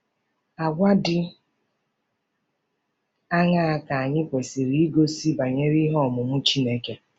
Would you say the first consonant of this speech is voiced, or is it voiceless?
voiced